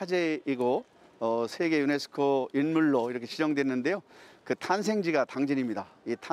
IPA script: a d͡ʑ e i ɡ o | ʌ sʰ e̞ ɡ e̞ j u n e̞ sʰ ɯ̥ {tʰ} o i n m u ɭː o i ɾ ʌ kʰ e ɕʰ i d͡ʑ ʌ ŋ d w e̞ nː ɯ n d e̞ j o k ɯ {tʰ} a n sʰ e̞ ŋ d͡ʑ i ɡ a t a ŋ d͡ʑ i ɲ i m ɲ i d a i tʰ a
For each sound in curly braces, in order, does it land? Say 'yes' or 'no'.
no, yes

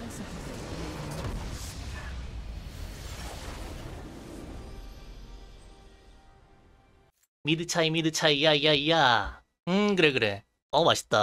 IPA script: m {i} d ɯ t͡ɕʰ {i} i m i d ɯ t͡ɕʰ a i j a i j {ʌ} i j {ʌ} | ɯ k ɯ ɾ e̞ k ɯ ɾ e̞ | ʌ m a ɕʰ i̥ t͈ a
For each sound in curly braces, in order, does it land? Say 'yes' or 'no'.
yes, no, no, no

